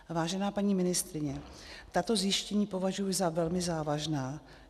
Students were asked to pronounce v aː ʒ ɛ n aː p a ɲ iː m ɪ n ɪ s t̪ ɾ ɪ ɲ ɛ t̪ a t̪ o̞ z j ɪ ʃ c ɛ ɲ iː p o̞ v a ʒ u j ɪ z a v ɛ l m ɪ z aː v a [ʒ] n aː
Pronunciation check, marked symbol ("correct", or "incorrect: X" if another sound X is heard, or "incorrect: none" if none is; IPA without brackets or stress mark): correct